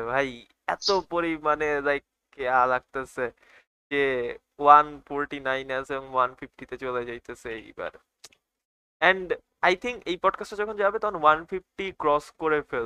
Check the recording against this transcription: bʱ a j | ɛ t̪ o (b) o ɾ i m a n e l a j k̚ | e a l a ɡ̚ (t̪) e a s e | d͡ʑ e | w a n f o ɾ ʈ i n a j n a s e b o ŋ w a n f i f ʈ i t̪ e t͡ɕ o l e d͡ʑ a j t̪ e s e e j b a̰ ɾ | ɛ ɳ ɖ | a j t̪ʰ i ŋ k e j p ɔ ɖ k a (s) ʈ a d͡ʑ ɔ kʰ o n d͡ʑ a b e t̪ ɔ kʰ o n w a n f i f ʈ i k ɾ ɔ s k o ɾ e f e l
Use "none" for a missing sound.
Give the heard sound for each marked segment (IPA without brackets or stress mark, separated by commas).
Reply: p, t̪, s